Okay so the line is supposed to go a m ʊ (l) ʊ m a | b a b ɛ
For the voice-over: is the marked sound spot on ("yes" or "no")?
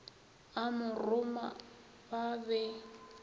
no